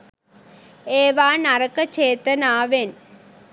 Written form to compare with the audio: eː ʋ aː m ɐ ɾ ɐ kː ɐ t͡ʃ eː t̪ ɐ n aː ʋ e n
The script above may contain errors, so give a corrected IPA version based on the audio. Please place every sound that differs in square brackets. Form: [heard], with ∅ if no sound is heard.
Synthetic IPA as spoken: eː ʋ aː [n] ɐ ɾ ɐ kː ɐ t͡ʃ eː t̪ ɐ n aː ʋ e n